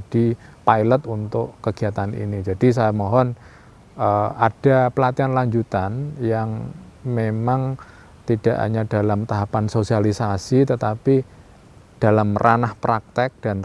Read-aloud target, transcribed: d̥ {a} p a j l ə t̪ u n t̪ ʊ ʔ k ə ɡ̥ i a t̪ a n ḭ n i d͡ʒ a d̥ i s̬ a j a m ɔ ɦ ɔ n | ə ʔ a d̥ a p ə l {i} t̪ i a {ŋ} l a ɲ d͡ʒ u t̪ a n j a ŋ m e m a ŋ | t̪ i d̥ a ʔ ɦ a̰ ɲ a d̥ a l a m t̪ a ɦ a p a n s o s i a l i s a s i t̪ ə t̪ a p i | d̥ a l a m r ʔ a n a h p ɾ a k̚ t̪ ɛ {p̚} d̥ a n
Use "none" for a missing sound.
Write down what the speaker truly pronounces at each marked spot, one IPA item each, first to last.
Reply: i, a, n, k̚

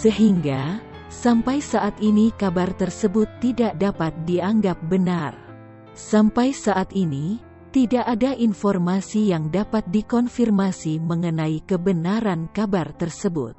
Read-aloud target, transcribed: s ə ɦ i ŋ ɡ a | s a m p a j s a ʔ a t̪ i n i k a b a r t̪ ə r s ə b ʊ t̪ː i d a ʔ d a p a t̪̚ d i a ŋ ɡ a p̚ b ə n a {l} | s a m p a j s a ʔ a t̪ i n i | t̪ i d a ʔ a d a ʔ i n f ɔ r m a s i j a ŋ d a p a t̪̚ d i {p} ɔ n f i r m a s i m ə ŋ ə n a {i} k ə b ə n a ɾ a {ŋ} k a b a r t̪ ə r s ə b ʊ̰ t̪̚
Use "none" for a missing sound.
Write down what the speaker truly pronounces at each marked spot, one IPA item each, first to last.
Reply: r, k, i, n

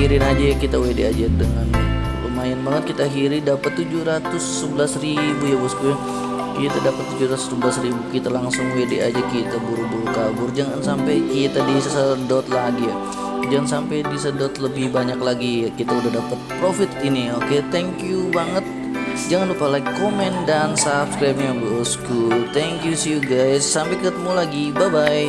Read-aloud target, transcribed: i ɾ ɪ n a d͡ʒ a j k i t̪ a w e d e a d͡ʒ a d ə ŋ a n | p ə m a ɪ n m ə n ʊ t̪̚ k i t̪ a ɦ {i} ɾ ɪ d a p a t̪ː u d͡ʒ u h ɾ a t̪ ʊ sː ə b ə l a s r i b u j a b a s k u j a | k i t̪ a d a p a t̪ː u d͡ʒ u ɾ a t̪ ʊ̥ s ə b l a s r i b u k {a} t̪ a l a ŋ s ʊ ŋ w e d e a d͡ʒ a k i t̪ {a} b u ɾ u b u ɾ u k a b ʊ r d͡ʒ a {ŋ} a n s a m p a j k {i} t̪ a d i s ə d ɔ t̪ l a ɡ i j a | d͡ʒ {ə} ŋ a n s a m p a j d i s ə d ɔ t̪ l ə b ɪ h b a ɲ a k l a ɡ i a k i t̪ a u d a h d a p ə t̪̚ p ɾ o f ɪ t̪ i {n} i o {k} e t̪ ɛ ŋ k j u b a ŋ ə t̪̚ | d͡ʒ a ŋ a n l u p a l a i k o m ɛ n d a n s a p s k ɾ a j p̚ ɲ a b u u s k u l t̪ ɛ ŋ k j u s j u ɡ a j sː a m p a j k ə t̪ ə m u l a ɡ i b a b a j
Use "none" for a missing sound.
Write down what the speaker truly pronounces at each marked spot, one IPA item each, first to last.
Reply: i, i, a, ŋ, i, a, n, k

